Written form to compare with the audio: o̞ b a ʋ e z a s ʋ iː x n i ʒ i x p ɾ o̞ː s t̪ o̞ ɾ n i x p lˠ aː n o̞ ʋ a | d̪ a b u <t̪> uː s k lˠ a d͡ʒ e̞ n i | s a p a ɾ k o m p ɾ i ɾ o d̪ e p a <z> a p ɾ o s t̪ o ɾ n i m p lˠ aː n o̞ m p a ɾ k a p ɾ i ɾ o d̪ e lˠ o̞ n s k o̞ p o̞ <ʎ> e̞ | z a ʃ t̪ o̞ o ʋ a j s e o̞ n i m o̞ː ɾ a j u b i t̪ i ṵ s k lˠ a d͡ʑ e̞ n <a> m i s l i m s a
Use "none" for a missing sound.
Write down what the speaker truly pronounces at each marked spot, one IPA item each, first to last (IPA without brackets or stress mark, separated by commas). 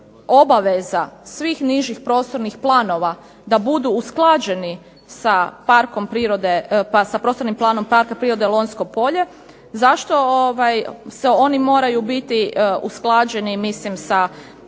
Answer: d̪, s, ʎ, i